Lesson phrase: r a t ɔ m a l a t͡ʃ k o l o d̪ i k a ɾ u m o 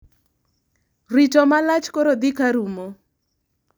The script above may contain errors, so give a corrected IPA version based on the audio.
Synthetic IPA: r i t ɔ m a l a t͡ʃ k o ɾ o d̪ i k a ɾ u m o